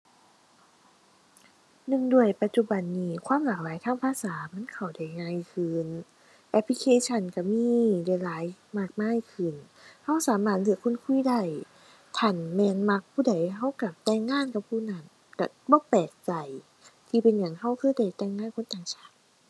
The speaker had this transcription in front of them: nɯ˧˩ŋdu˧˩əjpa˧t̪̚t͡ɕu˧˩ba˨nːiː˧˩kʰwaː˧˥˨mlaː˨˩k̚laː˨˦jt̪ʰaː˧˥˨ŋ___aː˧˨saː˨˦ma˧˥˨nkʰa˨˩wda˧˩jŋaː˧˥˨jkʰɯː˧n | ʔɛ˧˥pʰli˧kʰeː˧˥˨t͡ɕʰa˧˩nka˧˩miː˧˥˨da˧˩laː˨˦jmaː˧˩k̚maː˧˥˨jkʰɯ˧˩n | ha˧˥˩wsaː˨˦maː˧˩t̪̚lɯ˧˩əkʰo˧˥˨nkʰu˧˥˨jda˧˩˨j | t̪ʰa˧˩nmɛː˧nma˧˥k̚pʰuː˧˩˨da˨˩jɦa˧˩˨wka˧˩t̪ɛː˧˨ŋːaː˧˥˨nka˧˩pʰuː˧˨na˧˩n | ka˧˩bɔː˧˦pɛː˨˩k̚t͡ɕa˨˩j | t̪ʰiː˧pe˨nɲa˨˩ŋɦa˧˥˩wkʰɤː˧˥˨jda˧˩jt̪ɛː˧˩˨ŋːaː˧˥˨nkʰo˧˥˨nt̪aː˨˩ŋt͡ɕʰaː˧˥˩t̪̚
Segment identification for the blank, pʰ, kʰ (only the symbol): pʰ